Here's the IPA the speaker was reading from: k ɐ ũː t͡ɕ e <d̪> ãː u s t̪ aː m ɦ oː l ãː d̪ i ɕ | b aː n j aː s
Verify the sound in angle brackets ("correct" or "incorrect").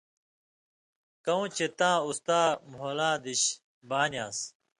incorrect